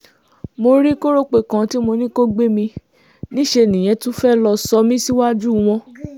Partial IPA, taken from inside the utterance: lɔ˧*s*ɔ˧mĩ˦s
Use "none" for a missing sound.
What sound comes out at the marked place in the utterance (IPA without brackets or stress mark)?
s